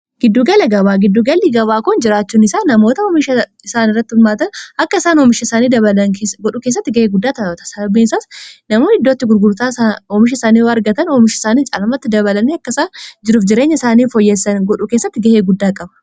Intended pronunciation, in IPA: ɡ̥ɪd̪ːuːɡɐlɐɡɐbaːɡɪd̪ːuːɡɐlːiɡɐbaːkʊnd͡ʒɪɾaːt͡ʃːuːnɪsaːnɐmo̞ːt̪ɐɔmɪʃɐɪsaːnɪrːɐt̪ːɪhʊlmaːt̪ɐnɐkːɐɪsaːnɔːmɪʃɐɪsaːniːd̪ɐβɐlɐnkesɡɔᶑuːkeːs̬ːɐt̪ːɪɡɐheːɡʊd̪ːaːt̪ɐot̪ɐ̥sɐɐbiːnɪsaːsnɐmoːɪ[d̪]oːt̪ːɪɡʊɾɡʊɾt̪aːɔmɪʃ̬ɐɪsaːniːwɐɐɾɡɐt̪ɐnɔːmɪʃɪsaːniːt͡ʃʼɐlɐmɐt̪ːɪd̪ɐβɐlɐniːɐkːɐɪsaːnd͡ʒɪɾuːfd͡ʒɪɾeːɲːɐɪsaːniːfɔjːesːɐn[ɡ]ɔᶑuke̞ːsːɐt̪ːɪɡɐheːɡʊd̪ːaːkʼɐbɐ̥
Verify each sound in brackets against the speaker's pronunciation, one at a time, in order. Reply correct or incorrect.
incorrect, correct

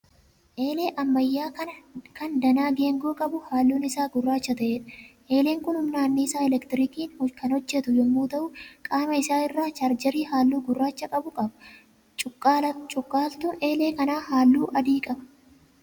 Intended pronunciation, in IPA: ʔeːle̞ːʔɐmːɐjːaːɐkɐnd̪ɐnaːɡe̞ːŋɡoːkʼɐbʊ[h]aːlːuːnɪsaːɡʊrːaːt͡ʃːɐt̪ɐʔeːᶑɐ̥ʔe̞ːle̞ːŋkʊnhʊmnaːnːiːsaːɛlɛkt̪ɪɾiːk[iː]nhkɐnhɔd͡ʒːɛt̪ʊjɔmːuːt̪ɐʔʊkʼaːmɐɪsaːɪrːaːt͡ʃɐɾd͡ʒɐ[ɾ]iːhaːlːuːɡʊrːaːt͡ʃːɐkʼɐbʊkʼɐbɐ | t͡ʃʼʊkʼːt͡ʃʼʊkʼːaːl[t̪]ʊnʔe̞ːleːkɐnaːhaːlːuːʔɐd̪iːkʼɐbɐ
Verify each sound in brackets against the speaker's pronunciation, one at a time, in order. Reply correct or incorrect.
correct, correct, correct, correct

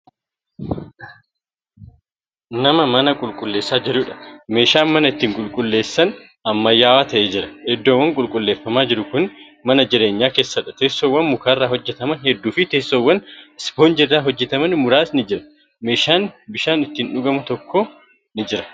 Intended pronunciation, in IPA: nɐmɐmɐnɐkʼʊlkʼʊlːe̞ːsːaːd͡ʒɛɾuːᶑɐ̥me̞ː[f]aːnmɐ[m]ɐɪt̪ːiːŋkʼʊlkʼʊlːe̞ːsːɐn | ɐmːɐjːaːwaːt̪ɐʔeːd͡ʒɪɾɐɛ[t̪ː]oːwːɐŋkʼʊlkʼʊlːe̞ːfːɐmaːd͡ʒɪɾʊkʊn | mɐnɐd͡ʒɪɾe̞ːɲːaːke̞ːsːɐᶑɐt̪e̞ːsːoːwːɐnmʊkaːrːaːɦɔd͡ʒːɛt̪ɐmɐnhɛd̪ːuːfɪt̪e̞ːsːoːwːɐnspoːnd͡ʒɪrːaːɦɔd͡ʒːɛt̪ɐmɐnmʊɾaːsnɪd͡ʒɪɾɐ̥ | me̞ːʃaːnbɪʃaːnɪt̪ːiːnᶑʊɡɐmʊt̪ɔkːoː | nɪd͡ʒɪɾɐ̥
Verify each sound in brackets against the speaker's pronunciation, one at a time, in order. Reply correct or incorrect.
incorrect, incorrect, incorrect

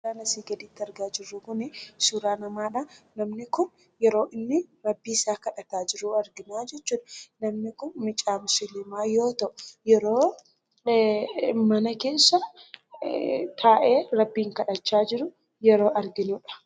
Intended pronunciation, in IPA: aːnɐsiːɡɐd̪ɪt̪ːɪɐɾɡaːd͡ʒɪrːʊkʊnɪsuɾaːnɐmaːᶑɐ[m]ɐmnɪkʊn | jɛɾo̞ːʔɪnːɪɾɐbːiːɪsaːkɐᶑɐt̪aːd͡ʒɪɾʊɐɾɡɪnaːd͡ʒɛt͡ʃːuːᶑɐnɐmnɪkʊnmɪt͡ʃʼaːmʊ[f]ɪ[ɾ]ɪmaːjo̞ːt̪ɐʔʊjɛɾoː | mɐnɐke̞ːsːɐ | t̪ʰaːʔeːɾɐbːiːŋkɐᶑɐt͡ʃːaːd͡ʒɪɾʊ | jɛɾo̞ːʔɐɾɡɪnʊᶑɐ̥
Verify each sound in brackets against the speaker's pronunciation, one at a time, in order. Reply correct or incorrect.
incorrect, incorrect, incorrect

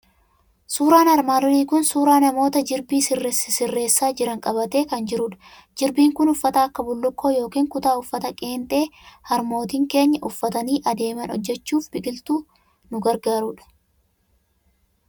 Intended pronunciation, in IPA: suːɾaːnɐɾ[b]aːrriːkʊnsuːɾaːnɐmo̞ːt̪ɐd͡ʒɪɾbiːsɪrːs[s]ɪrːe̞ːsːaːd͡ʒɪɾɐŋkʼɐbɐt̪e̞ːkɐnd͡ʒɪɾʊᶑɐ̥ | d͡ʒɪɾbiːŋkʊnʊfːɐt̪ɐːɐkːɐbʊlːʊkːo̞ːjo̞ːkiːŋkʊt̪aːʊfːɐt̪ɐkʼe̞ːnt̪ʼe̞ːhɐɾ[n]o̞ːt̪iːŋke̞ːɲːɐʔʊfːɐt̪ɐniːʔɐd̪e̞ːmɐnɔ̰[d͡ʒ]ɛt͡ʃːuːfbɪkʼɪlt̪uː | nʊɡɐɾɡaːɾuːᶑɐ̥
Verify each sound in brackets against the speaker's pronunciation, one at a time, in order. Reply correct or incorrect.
incorrect, correct, incorrect, incorrect

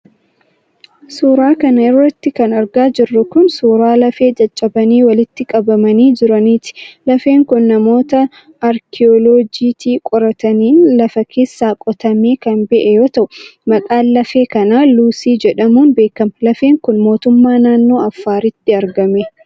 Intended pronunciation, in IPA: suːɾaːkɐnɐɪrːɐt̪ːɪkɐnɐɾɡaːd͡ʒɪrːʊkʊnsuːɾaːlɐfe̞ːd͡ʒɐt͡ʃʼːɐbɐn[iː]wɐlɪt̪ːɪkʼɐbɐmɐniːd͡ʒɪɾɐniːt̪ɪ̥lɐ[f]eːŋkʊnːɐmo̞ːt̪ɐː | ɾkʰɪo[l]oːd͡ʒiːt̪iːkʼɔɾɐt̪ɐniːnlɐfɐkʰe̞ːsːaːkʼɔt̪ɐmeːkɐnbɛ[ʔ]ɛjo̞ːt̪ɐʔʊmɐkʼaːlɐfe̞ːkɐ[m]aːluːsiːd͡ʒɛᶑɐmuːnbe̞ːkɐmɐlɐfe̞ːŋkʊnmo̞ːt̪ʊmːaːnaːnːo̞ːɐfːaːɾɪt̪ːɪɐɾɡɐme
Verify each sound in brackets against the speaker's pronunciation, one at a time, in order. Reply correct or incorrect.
correct, correct, correct, correct, incorrect

